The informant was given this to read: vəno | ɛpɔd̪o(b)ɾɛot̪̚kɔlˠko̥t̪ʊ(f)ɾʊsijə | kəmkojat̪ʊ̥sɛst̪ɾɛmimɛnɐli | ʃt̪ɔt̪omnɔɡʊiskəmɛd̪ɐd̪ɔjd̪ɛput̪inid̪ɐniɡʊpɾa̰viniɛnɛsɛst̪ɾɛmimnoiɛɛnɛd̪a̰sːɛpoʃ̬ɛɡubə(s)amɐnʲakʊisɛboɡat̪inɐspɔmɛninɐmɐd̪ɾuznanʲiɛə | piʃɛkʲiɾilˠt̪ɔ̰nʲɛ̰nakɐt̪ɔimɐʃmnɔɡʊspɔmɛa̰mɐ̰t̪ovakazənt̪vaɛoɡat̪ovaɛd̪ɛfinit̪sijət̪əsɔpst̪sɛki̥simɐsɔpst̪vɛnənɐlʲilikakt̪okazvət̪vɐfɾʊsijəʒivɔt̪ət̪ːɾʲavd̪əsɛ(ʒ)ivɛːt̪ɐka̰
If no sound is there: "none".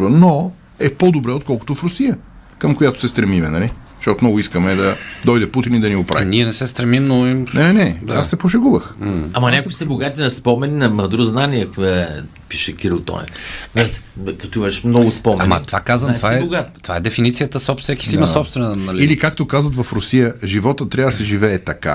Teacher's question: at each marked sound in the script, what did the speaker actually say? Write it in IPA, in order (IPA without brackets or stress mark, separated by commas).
b, f, x, ʒ